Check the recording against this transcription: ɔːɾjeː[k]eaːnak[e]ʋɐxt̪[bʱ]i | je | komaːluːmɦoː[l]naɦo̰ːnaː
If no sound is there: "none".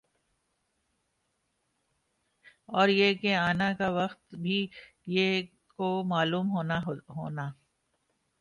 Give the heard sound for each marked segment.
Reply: k, a, bʱ, none

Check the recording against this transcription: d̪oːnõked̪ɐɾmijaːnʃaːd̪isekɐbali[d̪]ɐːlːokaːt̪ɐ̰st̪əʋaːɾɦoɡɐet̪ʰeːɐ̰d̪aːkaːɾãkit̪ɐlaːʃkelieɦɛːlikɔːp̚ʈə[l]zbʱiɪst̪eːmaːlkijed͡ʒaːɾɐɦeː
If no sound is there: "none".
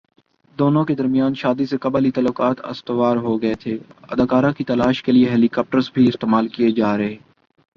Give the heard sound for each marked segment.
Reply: t̪, ɾ

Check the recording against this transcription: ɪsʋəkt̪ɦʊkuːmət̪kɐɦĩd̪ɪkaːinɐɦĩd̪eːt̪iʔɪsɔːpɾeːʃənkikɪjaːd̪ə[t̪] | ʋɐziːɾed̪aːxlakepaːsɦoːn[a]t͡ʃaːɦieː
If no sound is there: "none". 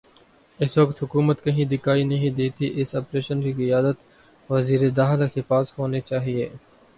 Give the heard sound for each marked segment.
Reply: t̪, e

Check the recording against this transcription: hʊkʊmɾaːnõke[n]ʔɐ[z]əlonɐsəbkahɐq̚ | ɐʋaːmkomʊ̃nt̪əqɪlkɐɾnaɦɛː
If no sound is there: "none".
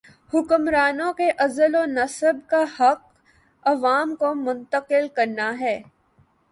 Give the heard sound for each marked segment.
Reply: none, z

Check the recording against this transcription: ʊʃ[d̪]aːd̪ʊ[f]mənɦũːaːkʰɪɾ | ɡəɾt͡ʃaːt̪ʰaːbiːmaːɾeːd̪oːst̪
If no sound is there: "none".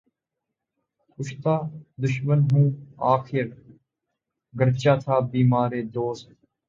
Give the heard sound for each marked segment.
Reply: t̪, ʃ

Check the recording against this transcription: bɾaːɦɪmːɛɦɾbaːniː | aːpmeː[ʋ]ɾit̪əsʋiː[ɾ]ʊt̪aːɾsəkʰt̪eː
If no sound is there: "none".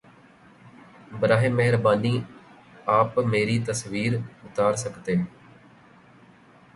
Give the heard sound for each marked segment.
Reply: none, ɾ

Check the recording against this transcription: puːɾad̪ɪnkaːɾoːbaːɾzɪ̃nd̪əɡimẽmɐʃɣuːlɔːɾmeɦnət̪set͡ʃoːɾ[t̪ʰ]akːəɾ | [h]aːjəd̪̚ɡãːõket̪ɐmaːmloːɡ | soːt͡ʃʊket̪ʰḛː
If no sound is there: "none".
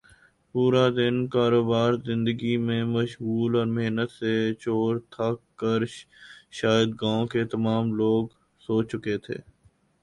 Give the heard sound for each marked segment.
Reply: t̪ʰ, ʃ

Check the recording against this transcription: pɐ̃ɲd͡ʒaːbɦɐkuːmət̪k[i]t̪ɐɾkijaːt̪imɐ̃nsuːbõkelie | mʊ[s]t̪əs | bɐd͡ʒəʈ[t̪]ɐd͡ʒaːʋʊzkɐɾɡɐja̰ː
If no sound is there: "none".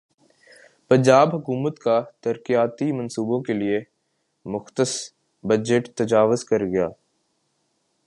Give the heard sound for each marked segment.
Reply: a, x, t̪

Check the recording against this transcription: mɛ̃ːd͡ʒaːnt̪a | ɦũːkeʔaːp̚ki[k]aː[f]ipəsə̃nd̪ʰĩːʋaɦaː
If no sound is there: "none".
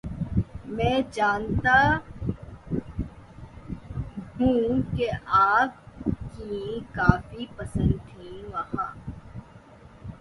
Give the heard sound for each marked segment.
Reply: k, f

